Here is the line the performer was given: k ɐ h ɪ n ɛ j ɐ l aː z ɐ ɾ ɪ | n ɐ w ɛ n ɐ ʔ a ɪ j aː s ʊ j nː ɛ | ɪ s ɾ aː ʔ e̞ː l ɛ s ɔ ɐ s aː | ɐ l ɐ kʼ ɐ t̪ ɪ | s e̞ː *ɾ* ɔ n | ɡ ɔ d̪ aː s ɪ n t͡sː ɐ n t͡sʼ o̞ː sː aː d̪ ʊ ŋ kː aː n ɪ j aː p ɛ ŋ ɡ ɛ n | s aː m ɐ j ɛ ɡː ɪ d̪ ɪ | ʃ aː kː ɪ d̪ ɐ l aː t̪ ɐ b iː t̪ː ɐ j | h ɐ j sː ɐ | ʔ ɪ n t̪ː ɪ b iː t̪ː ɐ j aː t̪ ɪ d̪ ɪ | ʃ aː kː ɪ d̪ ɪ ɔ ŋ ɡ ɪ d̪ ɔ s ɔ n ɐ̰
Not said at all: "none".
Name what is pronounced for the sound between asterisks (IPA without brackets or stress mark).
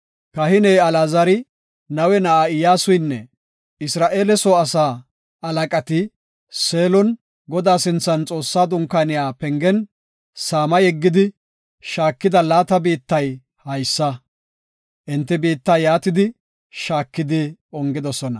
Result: l